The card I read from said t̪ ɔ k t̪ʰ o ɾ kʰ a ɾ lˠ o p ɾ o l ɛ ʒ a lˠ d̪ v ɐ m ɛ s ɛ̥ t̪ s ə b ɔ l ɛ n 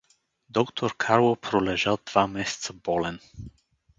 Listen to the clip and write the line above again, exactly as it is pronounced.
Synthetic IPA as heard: d̪ ɔ k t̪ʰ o ɾ kʰ a ɾ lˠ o p ɾ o l ɛ ʒ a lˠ d̪ v a m ɛ s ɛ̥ t̪ s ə b ɔ l ɛ n